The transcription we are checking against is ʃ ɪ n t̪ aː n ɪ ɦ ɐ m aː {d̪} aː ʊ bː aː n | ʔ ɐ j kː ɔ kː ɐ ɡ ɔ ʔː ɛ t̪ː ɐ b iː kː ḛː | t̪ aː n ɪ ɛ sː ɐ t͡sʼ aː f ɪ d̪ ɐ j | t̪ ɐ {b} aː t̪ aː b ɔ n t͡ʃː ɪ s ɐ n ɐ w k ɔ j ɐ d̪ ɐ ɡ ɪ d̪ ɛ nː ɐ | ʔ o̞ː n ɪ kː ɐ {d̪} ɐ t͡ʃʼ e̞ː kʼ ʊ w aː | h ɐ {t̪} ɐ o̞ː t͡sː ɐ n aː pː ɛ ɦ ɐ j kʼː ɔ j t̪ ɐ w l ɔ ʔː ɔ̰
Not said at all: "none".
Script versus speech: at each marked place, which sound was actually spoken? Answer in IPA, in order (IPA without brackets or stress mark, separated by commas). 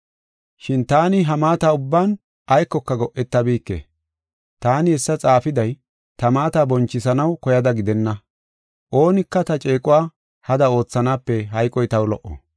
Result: t̪, m, t̪, d̪